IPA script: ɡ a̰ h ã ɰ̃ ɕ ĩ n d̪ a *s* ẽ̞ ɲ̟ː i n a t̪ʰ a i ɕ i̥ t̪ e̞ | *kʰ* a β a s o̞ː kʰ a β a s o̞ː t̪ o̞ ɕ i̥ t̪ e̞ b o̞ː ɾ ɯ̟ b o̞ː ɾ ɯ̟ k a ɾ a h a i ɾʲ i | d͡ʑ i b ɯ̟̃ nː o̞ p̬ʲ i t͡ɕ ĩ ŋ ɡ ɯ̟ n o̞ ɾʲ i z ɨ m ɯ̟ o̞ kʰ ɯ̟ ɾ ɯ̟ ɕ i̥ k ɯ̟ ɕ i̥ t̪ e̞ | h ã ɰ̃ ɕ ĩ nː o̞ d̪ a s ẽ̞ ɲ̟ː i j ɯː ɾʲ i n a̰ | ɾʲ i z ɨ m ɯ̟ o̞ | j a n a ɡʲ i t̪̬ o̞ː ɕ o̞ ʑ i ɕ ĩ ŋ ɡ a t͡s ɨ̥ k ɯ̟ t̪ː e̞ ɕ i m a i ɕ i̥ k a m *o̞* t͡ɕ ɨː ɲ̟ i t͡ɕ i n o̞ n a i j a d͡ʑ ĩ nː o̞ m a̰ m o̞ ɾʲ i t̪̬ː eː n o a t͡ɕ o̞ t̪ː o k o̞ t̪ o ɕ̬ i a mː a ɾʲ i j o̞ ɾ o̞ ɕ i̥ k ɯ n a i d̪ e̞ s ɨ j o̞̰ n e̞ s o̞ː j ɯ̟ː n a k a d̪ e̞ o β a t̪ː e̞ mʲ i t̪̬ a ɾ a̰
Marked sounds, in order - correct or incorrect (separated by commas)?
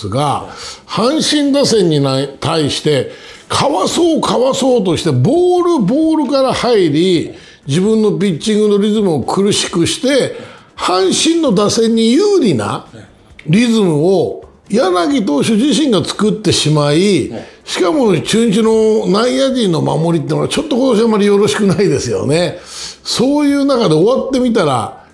correct, correct, correct